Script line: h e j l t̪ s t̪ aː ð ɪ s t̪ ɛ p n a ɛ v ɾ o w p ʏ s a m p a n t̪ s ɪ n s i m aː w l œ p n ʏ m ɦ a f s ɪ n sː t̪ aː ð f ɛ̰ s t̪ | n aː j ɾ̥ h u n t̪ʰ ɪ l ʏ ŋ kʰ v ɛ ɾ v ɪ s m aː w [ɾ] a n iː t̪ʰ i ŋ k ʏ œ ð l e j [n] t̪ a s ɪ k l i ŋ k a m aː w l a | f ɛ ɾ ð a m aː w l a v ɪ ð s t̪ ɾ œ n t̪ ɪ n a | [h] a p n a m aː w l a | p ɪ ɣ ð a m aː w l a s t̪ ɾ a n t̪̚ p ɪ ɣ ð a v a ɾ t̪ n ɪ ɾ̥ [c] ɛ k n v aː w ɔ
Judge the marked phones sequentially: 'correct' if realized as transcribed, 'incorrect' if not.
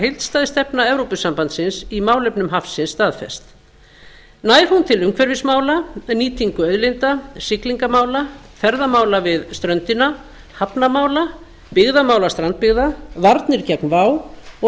incorrect, correct, correct, correct

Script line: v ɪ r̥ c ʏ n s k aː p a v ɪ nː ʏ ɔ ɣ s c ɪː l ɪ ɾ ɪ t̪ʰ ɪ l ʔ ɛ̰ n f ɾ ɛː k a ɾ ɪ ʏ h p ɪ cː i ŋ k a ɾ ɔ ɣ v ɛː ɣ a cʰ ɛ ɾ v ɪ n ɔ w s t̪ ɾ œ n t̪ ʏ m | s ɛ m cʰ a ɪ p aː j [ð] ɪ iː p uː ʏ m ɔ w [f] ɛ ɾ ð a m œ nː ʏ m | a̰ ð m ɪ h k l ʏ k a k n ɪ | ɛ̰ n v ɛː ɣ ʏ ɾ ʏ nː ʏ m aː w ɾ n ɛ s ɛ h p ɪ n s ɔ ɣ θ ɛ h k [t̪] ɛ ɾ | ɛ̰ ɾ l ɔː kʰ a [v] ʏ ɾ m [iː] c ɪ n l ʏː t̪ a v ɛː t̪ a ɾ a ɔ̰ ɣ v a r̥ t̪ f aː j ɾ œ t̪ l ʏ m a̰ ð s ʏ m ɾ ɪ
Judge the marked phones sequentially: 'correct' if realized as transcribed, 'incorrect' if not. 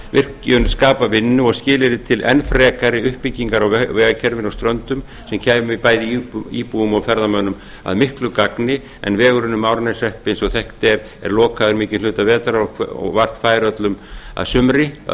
correct, correct, correct, incorrect, incorrect

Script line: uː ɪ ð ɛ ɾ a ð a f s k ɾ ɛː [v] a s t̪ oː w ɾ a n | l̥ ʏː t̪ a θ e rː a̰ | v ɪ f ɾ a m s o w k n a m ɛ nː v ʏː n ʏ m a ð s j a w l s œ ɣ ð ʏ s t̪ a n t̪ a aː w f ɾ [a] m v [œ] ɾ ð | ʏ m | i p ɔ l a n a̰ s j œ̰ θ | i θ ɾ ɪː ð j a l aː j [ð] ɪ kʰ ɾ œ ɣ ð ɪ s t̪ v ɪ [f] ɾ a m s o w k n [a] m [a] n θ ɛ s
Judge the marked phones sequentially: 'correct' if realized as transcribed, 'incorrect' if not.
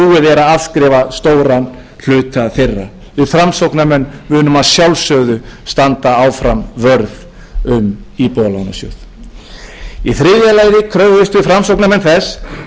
correct, correct, correct, correct, correct, correct, incorrect

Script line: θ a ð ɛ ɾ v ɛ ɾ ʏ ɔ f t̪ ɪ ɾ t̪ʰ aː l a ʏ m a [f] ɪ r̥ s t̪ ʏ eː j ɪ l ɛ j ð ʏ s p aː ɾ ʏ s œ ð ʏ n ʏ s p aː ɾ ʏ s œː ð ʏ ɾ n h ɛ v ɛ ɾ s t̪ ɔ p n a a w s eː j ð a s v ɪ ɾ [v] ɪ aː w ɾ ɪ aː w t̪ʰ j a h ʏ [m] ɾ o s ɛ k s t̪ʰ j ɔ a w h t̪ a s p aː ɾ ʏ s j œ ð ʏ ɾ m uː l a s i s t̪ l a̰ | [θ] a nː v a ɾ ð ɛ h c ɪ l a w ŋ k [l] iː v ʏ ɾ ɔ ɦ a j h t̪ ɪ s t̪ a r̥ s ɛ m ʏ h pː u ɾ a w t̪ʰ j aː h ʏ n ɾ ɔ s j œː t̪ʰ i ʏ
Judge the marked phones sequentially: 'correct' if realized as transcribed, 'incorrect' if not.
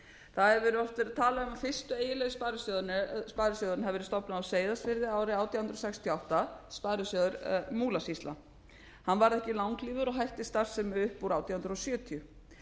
correct, incorrect, incorrect, incorrect, correct

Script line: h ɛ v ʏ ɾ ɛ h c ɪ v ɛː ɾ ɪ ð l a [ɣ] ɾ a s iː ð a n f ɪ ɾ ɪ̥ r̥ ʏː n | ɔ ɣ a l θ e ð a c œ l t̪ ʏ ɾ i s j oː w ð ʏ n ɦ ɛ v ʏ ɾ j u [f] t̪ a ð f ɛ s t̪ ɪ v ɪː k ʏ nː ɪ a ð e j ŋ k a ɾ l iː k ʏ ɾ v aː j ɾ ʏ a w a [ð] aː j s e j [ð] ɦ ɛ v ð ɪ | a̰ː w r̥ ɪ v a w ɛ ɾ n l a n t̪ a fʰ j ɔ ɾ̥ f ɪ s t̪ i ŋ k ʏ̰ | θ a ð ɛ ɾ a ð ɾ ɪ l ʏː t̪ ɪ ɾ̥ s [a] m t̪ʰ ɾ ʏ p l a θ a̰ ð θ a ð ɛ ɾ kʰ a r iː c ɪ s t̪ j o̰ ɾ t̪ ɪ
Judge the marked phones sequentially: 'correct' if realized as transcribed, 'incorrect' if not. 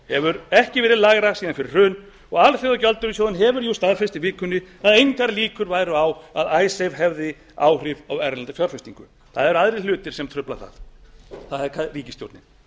correct, incorrect, correct, incorrect, incorrect

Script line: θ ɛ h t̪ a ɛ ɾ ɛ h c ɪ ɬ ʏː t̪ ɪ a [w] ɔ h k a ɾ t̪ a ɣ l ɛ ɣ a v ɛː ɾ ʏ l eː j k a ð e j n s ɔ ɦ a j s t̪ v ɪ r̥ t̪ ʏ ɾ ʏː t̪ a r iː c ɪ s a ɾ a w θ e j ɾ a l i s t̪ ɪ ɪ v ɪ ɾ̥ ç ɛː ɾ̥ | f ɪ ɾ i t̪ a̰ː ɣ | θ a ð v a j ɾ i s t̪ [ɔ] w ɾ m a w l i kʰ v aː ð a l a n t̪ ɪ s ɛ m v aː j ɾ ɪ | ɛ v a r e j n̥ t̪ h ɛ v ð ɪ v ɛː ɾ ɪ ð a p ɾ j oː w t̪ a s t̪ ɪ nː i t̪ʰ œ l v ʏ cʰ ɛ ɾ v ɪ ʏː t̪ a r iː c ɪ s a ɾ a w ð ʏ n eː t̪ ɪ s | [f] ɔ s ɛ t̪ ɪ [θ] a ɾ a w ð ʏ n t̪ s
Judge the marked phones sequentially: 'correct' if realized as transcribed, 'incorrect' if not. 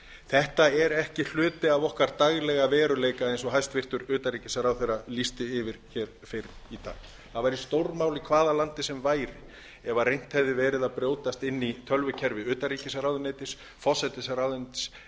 incorrect, incorrect, correct, incorrect

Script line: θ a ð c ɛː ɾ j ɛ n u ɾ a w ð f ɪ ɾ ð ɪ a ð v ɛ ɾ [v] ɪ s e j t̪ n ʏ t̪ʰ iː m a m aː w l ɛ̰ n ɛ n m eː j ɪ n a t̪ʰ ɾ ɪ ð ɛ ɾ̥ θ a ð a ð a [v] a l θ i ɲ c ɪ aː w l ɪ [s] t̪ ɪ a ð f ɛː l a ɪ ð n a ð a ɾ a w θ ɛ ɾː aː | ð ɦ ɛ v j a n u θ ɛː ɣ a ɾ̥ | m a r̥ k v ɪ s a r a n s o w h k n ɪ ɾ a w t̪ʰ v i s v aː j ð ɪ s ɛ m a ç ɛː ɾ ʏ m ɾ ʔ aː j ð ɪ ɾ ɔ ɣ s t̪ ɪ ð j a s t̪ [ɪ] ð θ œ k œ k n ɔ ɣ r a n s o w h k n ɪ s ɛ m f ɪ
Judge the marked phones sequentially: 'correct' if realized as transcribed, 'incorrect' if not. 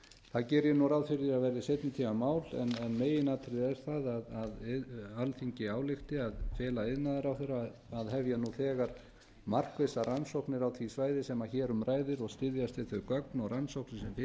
incorrect, incorrect, incorrect, correct

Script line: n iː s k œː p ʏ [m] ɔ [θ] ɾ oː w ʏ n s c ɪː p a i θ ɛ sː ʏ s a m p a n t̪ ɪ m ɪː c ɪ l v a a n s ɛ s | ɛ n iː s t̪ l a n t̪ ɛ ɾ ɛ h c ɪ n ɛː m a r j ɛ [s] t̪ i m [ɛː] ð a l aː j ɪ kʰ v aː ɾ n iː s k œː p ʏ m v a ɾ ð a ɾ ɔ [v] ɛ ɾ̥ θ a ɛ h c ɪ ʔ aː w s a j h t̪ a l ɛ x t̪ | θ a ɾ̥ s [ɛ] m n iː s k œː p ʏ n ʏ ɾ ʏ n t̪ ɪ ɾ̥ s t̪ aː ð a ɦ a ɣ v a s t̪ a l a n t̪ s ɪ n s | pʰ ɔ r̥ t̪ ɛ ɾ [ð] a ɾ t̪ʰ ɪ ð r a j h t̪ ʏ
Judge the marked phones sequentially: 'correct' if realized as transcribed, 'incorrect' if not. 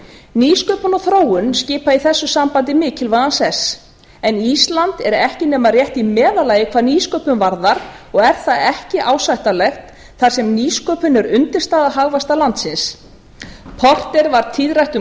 incorrect, correct, incorrect, correct, incorrect, correct, incorrect

